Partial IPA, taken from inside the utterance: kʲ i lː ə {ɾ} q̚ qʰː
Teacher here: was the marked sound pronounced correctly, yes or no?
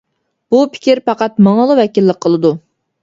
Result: no